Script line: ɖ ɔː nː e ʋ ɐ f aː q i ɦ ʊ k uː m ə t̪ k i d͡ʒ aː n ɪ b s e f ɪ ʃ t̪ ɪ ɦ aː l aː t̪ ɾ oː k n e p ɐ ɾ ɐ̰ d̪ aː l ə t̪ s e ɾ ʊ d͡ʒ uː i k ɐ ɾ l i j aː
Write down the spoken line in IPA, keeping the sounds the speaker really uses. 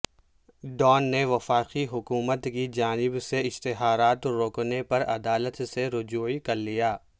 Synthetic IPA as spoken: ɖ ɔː nː e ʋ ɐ f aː q i ɦ ʊ k uː m ə t̪ k i d͡ʒ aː n ɪ b s e ɪ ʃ t̪ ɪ ɦ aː ɾ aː t̪ ɾ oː k n e p ɐ ɾ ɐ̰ d̪ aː l ə t̪ s e ɾ ʊ d͡ʒ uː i k ɐ ɾ l i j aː